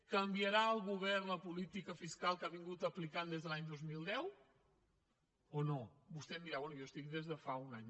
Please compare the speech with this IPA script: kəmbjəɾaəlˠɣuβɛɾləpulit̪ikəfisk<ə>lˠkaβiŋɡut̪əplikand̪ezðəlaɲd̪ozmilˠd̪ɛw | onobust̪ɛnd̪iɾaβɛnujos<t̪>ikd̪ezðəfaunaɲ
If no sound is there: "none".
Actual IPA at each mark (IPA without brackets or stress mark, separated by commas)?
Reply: a, t̪